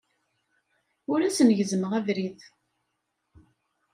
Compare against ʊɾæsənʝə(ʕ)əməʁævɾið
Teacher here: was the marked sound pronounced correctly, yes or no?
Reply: no